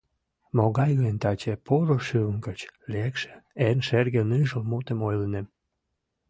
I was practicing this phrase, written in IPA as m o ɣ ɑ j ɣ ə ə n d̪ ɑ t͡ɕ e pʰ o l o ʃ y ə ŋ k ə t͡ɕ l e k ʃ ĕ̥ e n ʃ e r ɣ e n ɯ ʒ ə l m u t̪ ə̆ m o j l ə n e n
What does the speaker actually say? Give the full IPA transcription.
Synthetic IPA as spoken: m o ɣ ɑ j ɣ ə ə n t̪ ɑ t͡ɕ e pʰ o ɾ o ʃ y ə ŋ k ə t͡ɕ l e k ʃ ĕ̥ e n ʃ e r ɣ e n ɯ ʒ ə l m u t̪ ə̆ m o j l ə n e m